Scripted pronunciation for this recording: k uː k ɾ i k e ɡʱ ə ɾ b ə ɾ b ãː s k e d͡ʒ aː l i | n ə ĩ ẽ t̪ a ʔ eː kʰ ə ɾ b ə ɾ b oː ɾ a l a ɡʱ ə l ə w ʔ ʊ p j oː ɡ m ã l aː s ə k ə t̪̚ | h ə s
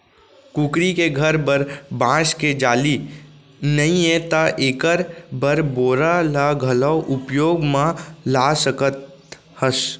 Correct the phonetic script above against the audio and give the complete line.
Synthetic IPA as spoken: k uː k ɾ i k e ɡʱ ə ɾ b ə ɾ b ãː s k e d͡ʒ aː l i | n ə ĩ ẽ t̪ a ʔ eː k ə ɾ b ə ɾ b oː ɾ a l a ɡʱ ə l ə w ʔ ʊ p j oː ɡ m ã l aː s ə k ə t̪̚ | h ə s